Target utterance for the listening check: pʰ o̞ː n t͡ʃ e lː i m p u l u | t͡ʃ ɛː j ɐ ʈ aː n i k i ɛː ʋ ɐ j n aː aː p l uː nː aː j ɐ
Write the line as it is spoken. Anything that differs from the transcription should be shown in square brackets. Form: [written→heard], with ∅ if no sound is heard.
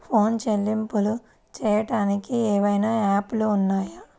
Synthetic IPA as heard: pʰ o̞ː n t͡ʃ e lː i m p u l u | t͡ʃ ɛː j ɐ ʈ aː n i k i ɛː ʋ ɐ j n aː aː p l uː nː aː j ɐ